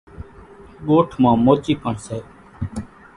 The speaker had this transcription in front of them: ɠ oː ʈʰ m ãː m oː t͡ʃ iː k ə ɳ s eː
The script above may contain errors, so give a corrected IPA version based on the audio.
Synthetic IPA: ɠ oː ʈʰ m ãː m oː t͡ʃ iː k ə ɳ s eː

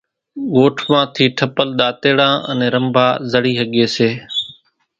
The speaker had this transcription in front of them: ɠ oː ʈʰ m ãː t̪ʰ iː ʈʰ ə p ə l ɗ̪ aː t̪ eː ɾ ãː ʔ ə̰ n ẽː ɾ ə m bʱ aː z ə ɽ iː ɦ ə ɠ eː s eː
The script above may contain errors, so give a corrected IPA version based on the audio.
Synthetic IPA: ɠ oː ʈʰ m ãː t̪ʰ iː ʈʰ ə p ə l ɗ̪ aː t̪ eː ɽ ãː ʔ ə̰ n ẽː ɾ ə m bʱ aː z ə ɽ iː ɦ ə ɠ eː s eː

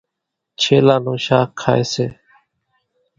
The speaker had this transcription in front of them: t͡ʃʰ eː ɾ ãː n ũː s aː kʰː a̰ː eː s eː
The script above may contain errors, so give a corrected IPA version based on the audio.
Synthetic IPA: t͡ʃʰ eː l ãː n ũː ʃ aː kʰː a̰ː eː s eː

